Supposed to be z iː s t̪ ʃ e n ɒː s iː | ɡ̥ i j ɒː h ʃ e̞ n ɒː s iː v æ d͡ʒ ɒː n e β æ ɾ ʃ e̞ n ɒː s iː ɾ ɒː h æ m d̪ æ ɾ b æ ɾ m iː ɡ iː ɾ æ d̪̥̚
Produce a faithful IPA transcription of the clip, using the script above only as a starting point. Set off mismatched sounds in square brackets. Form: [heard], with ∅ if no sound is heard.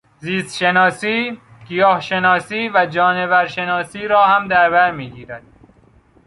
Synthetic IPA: z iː s t̪ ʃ e n ɒː s iː | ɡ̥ i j ɒː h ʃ e̞ n ɒː s iː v æ d͡ʒ ɒː n e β æ ɾ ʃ e̞ n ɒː s iː ɾ ɒː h æ m d̪ æ ɾ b æ ɾ m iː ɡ iː ɾ æ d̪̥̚